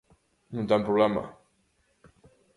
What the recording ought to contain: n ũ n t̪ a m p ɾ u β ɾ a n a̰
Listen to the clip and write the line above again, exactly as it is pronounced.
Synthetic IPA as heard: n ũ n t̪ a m p ɾ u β l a m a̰